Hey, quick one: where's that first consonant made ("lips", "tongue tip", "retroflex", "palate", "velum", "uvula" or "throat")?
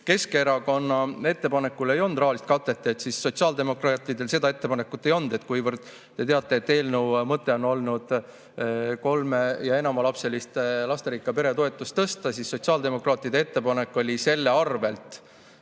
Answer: velum